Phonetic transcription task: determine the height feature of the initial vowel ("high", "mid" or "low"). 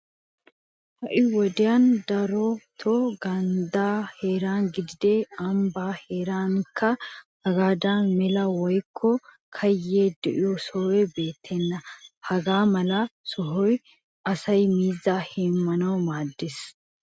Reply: low